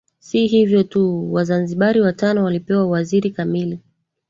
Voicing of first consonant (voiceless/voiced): voiceless